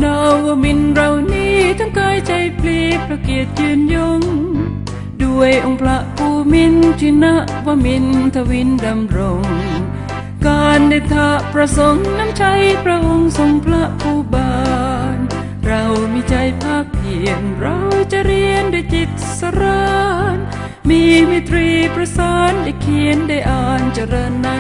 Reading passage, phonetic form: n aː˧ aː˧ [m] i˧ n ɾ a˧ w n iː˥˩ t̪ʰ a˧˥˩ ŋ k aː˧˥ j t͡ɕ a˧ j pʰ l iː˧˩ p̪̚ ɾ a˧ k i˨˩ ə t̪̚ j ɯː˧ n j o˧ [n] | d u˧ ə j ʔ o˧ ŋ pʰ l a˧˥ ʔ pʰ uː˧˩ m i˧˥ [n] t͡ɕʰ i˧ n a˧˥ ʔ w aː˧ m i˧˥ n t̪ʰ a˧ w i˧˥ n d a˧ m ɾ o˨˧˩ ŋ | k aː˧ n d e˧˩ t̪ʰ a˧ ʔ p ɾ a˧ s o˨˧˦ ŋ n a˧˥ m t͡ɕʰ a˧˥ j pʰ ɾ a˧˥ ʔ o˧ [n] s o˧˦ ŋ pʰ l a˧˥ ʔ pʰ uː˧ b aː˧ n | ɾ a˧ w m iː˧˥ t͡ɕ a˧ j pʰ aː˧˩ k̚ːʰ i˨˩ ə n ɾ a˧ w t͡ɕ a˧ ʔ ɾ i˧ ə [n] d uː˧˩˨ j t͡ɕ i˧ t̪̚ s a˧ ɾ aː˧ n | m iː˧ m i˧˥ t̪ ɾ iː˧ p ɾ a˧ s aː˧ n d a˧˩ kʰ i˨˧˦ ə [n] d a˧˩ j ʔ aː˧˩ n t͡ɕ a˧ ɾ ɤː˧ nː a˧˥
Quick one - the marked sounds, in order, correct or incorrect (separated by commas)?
correct, incorrect, correct, incorrect, correct, correct